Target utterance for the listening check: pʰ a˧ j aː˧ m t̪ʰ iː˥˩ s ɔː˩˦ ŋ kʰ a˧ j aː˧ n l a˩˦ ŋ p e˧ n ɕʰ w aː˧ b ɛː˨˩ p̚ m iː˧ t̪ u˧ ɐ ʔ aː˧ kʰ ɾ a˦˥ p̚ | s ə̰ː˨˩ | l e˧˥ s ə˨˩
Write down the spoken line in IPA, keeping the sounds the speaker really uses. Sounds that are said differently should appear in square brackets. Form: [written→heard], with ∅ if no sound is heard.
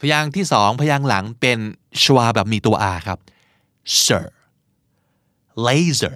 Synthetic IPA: pʰ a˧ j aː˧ [m→ŋ] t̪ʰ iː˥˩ s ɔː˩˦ ŋ [kʰ→pʰ] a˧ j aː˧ [n→ŋ] l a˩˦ ŋ p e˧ n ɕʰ w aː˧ b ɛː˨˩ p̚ m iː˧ t̪ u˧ ɐ ʔ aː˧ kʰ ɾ a˦˥ p̚ | s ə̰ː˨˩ | l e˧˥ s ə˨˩